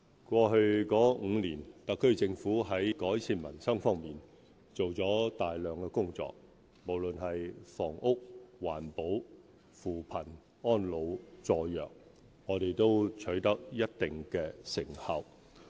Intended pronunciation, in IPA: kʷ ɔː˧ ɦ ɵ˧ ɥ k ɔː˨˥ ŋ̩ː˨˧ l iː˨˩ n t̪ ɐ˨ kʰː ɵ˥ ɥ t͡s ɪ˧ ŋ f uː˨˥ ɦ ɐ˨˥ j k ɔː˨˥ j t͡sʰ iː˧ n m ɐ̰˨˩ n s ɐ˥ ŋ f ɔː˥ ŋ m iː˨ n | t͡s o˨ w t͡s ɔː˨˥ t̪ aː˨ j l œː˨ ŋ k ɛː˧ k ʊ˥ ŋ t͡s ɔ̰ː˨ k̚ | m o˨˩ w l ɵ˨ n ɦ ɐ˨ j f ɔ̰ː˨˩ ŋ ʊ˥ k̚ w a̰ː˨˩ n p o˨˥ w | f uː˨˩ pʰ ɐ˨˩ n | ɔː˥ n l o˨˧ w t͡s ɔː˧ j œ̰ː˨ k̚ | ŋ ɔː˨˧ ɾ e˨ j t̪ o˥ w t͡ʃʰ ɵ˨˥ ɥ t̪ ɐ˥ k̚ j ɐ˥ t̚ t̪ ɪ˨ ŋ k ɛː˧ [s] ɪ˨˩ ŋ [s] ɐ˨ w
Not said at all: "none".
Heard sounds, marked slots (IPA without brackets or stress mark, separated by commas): s, h